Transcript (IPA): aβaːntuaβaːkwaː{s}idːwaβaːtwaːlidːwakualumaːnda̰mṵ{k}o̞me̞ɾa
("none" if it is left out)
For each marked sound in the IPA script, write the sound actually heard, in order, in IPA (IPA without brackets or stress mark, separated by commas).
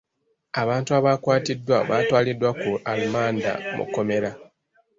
t, k